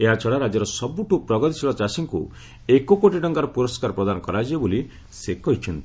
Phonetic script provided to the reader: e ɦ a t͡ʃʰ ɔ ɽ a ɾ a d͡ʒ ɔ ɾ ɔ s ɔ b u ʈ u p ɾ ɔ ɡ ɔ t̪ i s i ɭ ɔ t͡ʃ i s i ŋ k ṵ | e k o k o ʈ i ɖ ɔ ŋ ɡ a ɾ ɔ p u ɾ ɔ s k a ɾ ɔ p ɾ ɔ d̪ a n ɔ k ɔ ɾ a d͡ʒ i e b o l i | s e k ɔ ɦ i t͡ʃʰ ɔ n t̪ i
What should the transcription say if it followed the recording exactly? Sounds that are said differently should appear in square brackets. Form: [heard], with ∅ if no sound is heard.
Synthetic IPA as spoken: e ɦ a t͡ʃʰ ɔ ɽ a ɾ a d͡ʒ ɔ ɾ ɔ s ɔ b u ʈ u p ɾ ɔ ɡ ɔ t̪ i s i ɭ ɔ t͡ʃ [a] s i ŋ k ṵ | e k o k o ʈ i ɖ ɔ ŋ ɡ a ɾ ɔ p u ɾ ɔ s k a ɾ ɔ p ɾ ɔ d̪ a n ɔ k ɔ ɾ a d͡ʒ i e b o l i | s e k ɔ ɦ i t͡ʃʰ ɔ n t̪ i

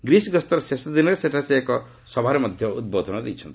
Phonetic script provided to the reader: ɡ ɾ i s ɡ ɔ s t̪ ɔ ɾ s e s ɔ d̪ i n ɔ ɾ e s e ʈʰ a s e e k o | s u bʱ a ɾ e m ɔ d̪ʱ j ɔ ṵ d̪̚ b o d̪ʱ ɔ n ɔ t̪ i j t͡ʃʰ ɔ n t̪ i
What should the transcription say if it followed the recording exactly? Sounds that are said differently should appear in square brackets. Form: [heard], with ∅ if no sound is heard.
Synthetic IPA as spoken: ɡ ɾ i s ɡ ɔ s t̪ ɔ ɾ s e s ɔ d̪ i n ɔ ɾ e s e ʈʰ a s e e k [ɔ] | s [ɔ] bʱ a ɾ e m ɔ d̪ʱ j ɔ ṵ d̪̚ b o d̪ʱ ɔ n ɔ [d̪] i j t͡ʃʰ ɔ n t̪ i

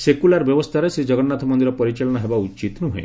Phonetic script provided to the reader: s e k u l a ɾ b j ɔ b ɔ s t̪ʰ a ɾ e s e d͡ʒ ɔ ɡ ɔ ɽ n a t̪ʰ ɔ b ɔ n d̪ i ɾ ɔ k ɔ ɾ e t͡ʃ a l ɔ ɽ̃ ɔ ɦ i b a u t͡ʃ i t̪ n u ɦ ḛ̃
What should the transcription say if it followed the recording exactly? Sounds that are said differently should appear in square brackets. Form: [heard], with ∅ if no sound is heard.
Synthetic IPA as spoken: s e k u l a ɾ b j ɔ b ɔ s t̪ʰ a ɾ e s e d͡ʒ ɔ ɡ ɔ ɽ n a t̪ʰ ɔ [m] ɔ n d̪ i ɾ ɔ [p] ɔ ɾ [i] t͡ʃ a l ɔ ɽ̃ ɔ ɦ [e] b a u t͡ʃ i t̪ n u ɦ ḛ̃

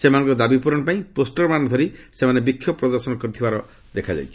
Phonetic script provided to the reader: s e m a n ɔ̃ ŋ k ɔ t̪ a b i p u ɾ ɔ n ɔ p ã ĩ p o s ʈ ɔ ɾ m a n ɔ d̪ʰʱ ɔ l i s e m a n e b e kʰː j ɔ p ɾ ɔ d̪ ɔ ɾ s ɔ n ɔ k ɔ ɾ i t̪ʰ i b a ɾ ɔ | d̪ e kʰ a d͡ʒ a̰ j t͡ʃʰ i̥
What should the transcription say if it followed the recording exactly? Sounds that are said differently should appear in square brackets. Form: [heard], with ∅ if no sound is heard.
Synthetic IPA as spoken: s e m a n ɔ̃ ŋ k ɔ [d̪] a b i p u ɾ ɔ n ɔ p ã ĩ p o s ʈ ɔ ɾ m a n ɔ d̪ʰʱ ɔ [ɾ] i s e m a n e b [i] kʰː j ɔ p ɾ ɔ d̪ ɔ ɾ s ɔ n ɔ k ɔ ɾ i t̪ʰ i b a ɾ ɔ | d̪ e kʰ a d͡ʒ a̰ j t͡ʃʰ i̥

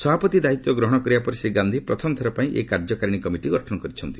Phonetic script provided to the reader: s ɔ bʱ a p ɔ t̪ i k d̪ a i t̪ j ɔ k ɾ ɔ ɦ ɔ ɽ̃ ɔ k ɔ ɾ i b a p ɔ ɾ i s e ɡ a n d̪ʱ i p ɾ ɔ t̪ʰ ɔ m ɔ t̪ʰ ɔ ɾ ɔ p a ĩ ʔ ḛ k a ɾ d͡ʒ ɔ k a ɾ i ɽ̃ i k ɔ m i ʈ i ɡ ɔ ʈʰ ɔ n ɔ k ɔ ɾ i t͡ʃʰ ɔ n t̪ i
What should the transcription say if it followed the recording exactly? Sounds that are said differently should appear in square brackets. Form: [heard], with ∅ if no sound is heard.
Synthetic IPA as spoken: s ɔ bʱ a p ɔ t̪ i [∅] d̪ a i t̪ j ɔ [ɡ] ɾ ɔ ɦ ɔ ɽ̃ ɔ k ɔ ɾ i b a p ɔ ɾ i s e ɡ a n d̪ʱ i p ɾ ɔ t̪ʰ ɔ m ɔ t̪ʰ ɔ ɾ ɔ p a ĩ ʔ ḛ k a ɾ d͡ʒ ɔ k a ɾ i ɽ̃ i k ɔ m i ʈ i ɡ ɔ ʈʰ ɔ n ɔ k ɔ ɾ i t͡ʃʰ ɔ n t̪ i

